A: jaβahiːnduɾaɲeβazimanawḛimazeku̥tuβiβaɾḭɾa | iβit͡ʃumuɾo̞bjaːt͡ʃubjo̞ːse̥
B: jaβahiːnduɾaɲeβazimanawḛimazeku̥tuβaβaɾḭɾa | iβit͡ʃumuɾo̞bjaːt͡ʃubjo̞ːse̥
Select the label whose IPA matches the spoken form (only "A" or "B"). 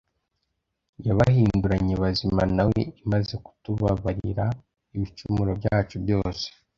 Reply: B